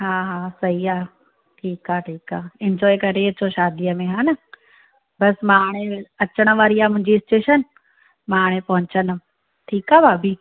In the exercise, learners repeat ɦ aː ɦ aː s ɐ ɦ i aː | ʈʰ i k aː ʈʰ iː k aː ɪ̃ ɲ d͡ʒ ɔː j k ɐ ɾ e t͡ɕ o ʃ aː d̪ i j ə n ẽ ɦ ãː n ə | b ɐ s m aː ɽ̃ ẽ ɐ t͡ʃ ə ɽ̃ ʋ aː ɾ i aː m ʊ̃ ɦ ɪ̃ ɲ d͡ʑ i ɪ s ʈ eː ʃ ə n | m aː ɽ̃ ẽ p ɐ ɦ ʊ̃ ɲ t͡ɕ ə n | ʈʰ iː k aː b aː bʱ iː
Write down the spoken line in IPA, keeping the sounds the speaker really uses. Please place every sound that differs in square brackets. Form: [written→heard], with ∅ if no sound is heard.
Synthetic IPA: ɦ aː ɦ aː s ɐ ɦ i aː | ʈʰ [i→iː] k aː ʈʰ iː k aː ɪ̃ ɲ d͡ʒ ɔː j k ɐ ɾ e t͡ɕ o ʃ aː d̪ i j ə [n→m] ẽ ɦ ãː n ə | b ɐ s m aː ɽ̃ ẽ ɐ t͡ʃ ə ɽ̃ ʋ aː ɾ i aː m ʊ̃ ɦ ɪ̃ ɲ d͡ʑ i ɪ s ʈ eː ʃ ə n | m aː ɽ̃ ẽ p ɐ ɦ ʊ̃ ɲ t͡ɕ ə n | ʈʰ iː k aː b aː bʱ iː